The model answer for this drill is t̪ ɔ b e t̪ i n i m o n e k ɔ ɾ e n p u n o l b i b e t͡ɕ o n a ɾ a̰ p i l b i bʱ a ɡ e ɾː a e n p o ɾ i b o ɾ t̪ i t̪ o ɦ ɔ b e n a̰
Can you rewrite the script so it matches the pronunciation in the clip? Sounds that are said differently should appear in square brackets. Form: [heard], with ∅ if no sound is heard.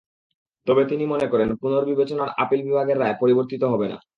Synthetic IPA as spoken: t̪ ɔ b e t̪ i n i m o n e k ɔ ɾ e n p u n o [ɾ] b i b e t͡ɕ o n a ɾ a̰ p i l b i bʱ a ɡ e ɾː a e [∅] p o ɾ i b o ɾ t̪ i t̪ o ɦ ɔ b e n a̰